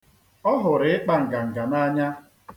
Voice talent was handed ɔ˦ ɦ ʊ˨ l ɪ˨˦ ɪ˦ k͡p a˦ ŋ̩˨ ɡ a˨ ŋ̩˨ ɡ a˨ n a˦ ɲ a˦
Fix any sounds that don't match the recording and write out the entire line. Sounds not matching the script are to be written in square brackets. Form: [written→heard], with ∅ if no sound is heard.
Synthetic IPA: ɔ˦ ɦ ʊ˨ [l→ɾ] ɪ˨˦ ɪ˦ k͡p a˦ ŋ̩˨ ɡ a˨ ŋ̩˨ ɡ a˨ n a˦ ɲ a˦